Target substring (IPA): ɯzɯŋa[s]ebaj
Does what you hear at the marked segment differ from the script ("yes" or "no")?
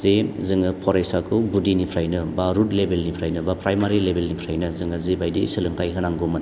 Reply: yes